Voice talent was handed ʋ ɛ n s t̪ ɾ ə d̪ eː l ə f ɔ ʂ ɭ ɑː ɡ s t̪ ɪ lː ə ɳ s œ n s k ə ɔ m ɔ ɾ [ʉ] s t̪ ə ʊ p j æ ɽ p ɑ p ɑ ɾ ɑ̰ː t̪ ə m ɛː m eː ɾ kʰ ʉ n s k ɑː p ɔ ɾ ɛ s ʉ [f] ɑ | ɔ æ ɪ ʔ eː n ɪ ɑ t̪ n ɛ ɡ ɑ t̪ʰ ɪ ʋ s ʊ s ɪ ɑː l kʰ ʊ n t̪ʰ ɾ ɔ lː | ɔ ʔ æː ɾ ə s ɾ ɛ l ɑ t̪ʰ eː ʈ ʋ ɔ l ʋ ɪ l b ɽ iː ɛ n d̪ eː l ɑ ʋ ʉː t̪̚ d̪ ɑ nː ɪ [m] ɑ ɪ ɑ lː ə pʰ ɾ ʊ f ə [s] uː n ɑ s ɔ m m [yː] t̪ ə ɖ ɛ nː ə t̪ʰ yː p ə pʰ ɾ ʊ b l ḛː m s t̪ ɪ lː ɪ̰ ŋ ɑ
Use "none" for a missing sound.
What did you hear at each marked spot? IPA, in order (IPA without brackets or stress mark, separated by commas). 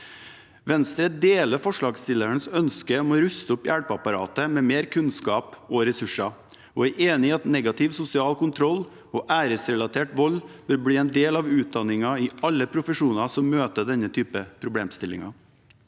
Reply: ʉ, ʂ, ŋ, ʂ, øː